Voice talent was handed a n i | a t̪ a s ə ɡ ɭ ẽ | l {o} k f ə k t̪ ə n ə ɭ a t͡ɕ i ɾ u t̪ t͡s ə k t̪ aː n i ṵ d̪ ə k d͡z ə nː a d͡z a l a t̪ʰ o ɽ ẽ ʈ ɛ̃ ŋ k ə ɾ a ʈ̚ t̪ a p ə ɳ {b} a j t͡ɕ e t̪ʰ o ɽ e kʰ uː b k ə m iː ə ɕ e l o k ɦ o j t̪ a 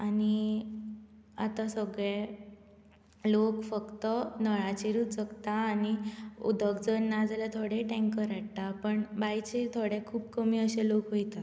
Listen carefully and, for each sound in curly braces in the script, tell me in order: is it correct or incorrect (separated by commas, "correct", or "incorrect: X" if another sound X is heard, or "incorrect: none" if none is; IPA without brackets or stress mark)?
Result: correct, correct